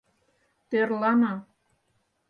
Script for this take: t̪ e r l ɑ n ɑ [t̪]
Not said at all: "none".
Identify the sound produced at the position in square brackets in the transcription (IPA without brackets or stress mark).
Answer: none